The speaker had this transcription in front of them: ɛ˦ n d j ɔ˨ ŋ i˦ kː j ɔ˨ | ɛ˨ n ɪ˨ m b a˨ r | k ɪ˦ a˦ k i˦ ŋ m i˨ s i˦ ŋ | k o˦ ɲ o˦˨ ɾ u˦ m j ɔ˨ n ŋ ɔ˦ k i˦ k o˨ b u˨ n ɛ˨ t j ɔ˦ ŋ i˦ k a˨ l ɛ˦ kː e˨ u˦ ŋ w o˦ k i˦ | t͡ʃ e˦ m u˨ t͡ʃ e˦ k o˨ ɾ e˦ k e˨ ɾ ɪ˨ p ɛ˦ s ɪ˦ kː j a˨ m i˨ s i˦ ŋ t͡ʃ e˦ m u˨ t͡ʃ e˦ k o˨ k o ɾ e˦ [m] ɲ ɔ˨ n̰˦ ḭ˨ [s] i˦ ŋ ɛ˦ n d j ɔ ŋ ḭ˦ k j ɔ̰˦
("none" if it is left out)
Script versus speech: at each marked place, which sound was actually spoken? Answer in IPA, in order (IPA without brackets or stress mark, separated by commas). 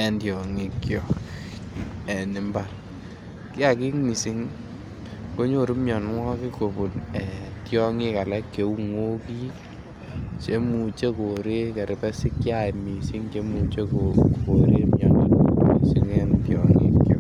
m, s